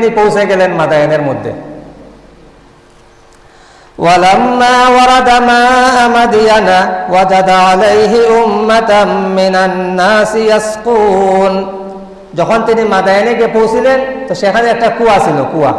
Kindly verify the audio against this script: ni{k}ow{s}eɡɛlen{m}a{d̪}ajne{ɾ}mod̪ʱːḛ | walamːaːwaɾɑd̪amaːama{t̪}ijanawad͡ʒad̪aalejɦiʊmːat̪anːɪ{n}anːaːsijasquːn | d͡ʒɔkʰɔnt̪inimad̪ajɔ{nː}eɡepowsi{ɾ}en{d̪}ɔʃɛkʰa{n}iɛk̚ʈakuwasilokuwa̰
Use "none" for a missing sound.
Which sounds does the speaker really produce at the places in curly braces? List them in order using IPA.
p, s, m, d̪, ɾ, d̪, n, n, l, t̪, n

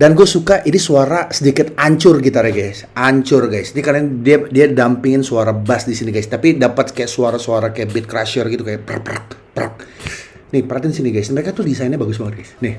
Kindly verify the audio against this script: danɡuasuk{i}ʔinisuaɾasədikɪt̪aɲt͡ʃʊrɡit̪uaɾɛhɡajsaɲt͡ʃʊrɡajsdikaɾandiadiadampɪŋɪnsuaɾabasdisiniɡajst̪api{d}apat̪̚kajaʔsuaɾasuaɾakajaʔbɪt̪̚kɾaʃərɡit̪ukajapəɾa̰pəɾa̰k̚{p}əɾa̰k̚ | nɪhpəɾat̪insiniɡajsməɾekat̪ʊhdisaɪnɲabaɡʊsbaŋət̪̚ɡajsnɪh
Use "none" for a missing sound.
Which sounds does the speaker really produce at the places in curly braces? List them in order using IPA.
a, d, p

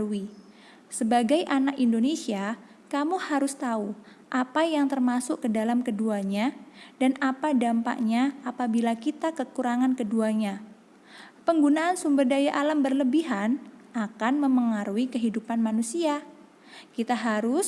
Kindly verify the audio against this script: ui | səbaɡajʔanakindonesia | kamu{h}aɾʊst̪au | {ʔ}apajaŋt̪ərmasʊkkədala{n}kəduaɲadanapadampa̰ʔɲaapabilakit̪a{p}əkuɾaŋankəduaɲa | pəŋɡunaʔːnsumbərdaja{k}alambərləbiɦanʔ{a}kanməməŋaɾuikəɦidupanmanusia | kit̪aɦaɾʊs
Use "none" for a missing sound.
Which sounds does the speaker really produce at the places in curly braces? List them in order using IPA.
h, ʔ, m, k, ʔ, a

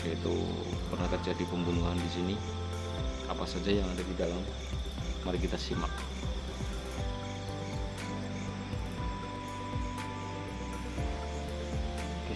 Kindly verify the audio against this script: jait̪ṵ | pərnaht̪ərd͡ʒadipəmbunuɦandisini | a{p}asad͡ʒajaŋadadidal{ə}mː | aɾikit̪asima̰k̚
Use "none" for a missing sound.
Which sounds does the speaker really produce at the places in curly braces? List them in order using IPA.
p, a

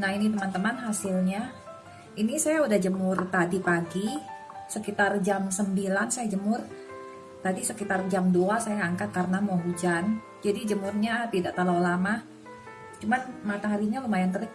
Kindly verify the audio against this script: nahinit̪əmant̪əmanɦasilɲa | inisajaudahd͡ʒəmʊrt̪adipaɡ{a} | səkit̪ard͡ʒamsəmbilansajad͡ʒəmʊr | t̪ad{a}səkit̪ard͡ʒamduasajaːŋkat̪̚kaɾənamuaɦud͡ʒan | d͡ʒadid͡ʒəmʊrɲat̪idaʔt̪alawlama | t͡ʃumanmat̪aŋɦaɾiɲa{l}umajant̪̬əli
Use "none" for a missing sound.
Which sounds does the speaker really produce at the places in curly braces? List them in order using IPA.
i, i, l

